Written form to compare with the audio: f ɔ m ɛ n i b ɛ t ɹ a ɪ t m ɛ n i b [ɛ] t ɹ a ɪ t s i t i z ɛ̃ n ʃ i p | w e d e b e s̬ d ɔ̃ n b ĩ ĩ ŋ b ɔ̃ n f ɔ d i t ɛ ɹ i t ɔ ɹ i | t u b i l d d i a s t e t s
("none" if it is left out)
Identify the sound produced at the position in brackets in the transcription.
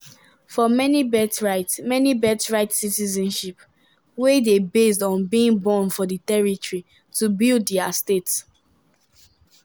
ɛ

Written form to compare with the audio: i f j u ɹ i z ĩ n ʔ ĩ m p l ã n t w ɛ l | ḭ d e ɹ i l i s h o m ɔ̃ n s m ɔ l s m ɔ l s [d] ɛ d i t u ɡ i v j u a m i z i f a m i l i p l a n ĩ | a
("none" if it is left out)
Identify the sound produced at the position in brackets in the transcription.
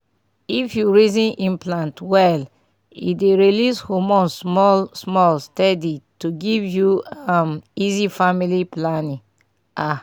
t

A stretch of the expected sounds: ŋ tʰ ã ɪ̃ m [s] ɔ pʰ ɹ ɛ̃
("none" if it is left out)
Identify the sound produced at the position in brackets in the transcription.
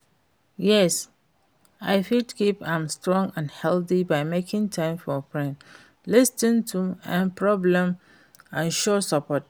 f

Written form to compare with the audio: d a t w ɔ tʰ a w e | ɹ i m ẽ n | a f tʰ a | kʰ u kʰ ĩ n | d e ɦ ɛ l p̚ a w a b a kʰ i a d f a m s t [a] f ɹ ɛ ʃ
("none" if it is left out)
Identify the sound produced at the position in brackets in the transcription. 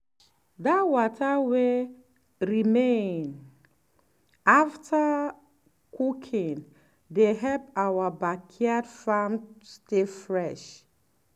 e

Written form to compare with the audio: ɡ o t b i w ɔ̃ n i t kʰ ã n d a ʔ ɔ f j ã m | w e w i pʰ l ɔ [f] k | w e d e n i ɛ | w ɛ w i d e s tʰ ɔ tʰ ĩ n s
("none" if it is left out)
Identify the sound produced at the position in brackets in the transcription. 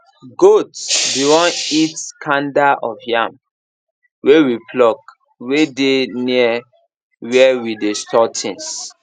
none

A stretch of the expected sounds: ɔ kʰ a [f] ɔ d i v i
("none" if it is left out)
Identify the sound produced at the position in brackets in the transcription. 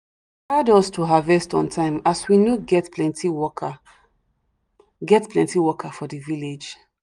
f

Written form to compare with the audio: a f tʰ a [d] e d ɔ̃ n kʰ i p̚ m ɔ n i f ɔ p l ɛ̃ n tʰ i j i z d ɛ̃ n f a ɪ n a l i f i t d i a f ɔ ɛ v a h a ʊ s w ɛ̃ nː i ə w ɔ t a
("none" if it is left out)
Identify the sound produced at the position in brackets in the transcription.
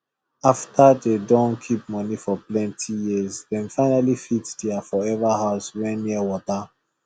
d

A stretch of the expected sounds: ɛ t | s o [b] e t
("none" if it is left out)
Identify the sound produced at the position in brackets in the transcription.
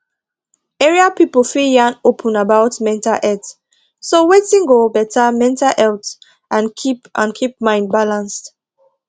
w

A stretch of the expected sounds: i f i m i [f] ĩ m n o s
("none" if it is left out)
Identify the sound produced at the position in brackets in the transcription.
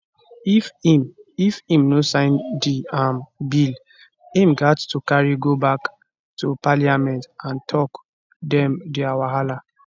f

